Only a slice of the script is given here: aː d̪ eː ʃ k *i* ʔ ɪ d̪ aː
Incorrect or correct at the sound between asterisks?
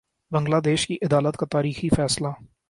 correct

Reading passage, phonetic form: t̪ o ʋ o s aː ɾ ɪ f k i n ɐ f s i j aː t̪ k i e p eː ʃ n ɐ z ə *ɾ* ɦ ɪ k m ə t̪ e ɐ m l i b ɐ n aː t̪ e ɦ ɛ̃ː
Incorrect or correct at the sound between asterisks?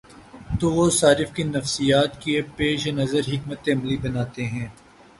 correct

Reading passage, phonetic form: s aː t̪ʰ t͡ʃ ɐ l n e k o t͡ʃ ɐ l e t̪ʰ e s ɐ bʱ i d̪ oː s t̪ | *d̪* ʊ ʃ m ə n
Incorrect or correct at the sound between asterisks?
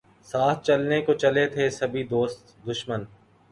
correct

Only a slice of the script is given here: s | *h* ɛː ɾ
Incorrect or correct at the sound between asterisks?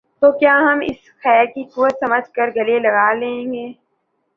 incorrect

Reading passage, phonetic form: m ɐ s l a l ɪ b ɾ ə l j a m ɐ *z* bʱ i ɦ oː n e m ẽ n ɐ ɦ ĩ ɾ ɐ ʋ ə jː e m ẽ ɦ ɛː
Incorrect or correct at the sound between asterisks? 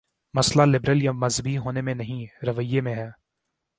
correct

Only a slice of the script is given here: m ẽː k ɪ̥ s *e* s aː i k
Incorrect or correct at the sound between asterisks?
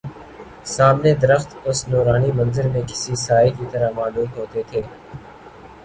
incorrect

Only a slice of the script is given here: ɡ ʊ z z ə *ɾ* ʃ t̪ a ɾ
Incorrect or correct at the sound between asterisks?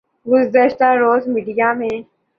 incorrect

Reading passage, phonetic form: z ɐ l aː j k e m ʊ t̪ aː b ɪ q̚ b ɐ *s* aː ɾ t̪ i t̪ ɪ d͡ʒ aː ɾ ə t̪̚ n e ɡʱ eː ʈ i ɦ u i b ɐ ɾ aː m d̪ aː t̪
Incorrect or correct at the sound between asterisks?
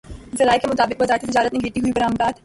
incorrect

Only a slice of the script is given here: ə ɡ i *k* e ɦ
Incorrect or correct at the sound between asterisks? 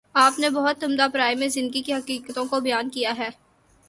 correct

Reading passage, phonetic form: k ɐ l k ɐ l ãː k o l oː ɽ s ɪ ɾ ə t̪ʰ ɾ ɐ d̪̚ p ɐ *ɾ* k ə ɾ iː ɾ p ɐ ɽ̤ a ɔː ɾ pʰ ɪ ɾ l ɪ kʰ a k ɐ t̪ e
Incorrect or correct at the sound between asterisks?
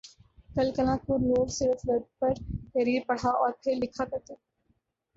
correct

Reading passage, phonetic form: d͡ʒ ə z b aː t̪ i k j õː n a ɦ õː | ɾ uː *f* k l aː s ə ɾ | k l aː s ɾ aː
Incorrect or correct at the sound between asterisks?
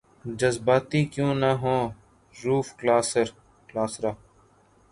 correct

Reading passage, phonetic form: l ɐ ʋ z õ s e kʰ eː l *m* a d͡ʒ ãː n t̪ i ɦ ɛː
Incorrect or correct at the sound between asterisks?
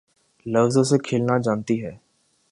incorrect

